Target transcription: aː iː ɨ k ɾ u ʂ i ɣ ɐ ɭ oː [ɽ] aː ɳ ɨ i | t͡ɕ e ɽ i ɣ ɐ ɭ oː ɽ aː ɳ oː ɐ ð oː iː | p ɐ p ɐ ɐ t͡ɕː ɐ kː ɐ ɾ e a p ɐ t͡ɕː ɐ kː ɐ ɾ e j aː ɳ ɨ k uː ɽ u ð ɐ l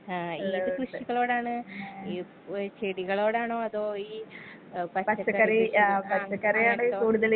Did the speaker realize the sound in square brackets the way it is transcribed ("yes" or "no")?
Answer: yes